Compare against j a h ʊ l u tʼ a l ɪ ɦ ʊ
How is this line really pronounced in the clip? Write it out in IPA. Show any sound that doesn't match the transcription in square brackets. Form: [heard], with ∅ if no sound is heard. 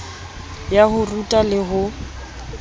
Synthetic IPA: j a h ʊ [r] u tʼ a l ɪ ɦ ʊ